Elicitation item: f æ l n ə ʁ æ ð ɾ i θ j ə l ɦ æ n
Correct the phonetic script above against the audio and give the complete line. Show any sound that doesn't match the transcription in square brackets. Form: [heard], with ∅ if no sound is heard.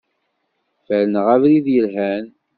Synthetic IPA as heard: f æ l n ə ʁ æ [v] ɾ i [ð] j ə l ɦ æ n